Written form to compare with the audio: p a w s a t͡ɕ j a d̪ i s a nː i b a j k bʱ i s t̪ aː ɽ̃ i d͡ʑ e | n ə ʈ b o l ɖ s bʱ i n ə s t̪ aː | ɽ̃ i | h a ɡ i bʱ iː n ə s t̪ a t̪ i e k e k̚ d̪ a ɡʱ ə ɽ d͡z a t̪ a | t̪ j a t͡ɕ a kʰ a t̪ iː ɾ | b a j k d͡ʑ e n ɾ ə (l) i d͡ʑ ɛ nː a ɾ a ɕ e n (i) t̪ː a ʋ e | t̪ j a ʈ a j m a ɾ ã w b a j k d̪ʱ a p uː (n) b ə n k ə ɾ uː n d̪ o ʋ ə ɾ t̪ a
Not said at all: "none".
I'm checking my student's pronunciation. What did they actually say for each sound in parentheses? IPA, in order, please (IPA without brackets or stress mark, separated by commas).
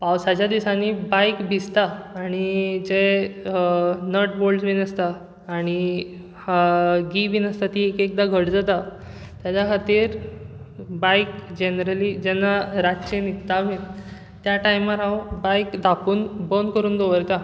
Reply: l, i, n